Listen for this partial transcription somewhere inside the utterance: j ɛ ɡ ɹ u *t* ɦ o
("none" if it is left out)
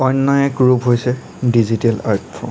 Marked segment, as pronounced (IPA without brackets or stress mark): p